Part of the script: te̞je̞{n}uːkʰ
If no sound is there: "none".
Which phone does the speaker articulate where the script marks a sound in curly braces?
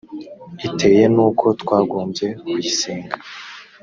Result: n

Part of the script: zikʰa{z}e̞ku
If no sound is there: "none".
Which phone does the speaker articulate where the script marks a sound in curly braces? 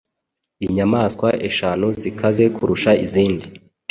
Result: z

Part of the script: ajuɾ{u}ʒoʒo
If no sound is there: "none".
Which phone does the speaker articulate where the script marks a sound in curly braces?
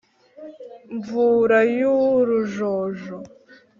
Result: u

